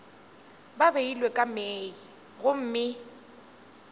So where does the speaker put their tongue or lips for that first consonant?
lips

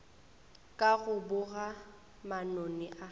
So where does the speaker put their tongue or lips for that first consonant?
velum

